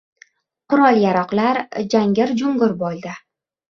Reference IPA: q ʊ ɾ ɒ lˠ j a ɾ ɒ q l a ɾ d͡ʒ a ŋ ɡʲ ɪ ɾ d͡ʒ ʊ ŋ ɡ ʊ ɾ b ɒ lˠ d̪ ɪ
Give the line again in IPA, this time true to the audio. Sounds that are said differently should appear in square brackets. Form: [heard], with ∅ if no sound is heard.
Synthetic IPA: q ʊ ɾ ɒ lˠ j a ɾ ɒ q l a ɾ d͡ʒ a ŋ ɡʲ ɪ ɾ d͡ʒ ʊ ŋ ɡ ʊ ɾ b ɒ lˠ d̪ ɪ